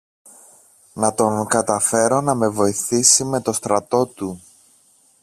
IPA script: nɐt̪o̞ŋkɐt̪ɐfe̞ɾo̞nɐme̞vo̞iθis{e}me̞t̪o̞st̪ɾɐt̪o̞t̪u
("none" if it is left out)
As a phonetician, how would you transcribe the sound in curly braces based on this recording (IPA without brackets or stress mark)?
i